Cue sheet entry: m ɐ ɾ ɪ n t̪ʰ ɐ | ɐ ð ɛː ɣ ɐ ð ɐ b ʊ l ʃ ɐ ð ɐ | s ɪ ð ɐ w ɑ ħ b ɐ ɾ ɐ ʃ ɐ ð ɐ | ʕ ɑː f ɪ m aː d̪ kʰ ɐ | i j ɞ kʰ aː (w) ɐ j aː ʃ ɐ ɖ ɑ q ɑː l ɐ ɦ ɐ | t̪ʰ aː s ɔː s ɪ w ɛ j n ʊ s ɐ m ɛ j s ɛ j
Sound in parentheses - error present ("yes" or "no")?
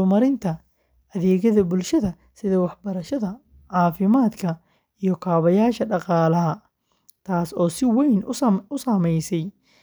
yes